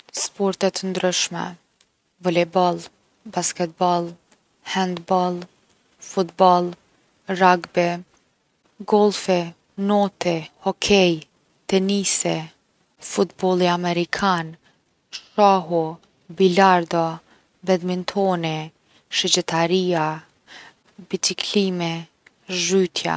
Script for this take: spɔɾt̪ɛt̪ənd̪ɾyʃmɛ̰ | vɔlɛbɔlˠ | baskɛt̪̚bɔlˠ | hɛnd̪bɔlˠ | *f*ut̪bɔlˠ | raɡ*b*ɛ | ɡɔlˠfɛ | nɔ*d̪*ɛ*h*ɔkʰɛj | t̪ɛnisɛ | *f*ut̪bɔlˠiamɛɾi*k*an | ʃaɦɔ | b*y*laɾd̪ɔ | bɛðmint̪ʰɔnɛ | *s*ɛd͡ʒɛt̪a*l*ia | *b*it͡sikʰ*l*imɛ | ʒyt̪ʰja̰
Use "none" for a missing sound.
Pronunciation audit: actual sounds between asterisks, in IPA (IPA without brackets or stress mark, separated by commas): f, b, t̪, h, f, kʰ, i, ʃ, ɾ, b, l